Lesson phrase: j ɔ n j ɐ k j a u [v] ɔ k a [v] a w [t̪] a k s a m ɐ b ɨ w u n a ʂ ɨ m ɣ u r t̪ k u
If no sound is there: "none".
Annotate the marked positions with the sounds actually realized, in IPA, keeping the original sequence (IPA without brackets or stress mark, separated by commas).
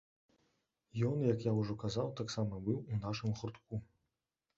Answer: ʐ, z, t̪